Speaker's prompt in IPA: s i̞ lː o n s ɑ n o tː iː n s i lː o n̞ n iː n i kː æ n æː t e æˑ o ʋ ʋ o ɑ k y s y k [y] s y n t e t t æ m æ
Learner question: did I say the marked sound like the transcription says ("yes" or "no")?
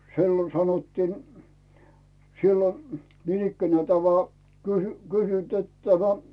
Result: yes